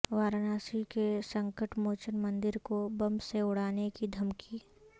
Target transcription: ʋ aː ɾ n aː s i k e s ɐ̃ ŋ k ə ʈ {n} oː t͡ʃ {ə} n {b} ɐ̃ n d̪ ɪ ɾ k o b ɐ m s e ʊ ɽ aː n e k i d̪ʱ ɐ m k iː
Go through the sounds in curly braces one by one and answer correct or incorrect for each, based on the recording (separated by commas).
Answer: incorrect, correct, incorrect